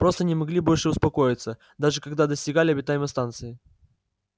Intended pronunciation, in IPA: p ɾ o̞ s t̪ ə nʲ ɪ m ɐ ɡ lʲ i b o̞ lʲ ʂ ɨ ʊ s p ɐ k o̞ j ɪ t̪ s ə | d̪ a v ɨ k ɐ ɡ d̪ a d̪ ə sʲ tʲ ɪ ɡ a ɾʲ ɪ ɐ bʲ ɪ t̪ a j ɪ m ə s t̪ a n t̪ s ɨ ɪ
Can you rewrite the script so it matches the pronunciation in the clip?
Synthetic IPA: p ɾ o̞ s t̪ ə nʲ ɪ m ɐ ɡ lʲ i b o̞ lʲ ʂ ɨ ʊ s p ɐ k o̞ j ɪ t̪ s ə | d̪ a ʐ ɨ k ɐ ɡ d̪ a d̪ ə sʲ tʲ ɪ ɡ a lʲ ɪ ɐ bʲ ɪ t̪ a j ɪ m ə s t̪ a n t̪ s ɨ ɪ